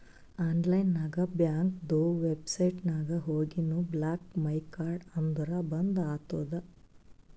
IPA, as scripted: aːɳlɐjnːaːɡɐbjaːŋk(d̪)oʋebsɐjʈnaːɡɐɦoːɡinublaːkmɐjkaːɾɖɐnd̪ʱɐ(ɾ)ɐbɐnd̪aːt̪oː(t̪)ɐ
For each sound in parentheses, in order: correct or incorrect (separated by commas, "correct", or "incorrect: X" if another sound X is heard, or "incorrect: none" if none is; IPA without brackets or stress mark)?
correct, correct, incorrect: d̪